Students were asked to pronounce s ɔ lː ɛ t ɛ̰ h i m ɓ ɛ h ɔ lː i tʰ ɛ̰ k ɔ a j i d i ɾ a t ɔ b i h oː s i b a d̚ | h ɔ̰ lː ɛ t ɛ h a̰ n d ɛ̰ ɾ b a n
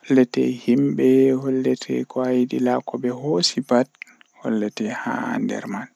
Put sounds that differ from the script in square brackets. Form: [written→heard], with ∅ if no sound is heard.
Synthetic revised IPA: [s→h] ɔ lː ɛ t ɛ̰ h i m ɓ ɛ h ɔ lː [i→ɛ] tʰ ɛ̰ k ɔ a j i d i [ɾ→l] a [t→k] ɔ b [i→ɛ] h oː s i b a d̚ | h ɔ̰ lː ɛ t ɛ h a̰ n d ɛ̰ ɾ [b→m] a n